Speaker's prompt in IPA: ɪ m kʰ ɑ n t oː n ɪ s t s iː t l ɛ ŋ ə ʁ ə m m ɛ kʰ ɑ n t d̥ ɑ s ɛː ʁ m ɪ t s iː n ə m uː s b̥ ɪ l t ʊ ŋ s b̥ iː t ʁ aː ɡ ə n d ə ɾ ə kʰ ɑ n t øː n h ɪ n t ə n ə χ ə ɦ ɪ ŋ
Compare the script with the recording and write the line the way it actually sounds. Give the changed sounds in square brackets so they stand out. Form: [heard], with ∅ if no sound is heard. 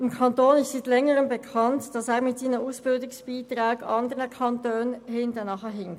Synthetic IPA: ɪ m kʰ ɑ n t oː n ɪ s t s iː t l ɛ ŋ ə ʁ ə m [b] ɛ kʰ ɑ n t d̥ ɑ s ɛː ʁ m ɪ t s iː n ə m uː s b̥ ɪ l [d] ʊ ŋ s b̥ iː t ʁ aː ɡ [ɑ] n d ə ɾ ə kʰ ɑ n t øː n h ɪ n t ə n [ɑ] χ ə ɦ ɪ ŋ